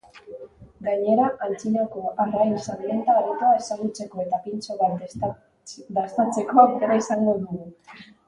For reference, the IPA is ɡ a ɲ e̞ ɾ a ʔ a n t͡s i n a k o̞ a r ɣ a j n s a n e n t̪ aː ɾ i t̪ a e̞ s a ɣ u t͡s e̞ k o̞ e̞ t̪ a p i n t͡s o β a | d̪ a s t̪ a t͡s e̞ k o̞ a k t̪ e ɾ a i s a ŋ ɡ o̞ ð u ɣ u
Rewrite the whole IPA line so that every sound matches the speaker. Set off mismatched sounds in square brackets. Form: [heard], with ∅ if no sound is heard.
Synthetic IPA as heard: ɡ a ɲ e̞ ɾ a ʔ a n t͡s i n a k o̞ a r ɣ a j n s a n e n t̪ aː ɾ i t̪ a e̞ s a ɣ u t͡s e̞ k o̞ e̞ t̪ a p i n t͡s o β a | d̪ a s t̪ a t͡s e̞ k o̞ a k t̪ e ɾ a i s a ŋ ɡ o̞ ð u ɣ u